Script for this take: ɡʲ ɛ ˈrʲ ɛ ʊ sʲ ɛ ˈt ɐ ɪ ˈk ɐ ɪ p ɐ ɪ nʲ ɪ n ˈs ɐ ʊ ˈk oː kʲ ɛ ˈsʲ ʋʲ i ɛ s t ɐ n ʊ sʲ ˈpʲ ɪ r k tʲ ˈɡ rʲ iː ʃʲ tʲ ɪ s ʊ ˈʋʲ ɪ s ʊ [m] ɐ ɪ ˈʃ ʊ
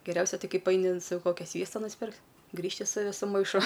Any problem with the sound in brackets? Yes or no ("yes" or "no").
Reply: no